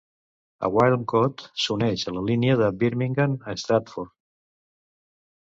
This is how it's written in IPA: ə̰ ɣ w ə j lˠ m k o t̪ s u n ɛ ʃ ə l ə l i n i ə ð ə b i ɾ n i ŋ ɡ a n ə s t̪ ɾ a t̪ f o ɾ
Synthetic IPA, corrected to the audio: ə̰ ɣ w a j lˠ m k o t̪ s u n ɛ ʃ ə l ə l i n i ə ð ə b i ɾ m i ŋ ɡ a n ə s t̪ ɾ a t̪ f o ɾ